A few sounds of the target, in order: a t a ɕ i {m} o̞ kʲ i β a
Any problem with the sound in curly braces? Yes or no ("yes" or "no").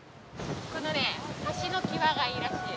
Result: yes